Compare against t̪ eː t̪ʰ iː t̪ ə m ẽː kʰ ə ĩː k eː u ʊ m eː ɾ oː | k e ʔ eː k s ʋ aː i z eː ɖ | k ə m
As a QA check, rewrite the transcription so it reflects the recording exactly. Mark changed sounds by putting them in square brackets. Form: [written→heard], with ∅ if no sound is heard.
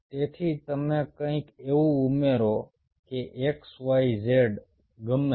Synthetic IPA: t̪ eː t̪ʰ iː t̪ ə m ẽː [kʰ→k] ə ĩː k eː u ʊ m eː ɾ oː | k e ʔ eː k s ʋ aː i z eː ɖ | [k→ɡ] ə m

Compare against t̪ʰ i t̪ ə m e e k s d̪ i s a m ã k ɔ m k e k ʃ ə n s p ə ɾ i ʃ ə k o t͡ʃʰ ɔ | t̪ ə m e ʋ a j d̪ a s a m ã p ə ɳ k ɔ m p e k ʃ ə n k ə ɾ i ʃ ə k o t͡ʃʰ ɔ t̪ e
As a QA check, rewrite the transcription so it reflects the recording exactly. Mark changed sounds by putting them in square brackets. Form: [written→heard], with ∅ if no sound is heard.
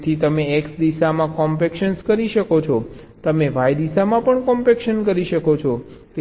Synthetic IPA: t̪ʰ i t̪ ə m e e k s d̪ i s a m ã k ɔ m [k→p] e k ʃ ə n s [p→k] ə ɾ i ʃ ə k o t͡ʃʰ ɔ | t̪ ə m e ʋ a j d̪ [a→i] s a m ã p ə ɳ k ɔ m p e k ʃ ə n k ə ɾ i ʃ ə k o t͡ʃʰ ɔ t̪ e

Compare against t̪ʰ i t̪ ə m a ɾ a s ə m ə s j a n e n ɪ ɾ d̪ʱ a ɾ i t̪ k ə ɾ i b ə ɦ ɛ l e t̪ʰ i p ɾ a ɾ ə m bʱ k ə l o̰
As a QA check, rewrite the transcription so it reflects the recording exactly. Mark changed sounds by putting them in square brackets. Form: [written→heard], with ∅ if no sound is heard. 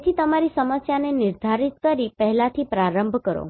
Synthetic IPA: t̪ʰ i t̪ ə m a ɾ [a→i] s ə m ə s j a n e n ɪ ɾ d̪ʱ a ɾ i t̪ k ə ɾ i [b→p] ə ɦ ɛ l [e→a] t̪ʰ i p ɾ a ɾ ə m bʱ k ə [l→ɾ] o̰

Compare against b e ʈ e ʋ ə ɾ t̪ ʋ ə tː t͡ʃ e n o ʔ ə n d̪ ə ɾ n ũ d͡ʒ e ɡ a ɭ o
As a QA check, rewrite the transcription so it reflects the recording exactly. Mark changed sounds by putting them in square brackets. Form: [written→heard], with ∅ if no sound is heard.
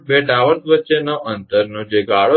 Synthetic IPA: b e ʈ [e→a] ʋ ə ɾ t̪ ʋ ə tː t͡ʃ e n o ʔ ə n [d̪→t̪] ə ɾ n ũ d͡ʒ e ɡ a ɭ o

